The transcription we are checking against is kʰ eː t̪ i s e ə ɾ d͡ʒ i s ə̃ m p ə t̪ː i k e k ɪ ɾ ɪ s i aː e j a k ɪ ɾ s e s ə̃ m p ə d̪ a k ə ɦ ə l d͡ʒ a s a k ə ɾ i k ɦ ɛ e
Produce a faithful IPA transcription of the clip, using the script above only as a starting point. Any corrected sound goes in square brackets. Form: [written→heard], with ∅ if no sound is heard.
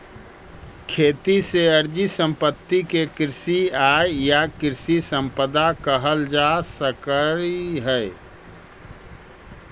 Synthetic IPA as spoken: kʰ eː t̪ i s e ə ɾ d͡ʒ i s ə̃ m p ə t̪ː i k e k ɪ ɾ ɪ s i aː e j a k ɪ ɾ s [e→i] s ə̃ m p ə d̪ a k ə ɦ ə l d͡ʒ a s [a→ə] k ə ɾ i [k→∅] ɦ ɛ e